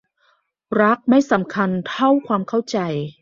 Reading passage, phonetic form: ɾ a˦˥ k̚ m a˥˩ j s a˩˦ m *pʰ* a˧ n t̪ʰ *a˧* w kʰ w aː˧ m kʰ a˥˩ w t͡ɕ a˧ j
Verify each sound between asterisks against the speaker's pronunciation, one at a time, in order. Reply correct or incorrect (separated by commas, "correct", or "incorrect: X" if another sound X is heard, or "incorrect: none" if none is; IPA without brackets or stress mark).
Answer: incorrect: kʰ, incorrect: a˥˩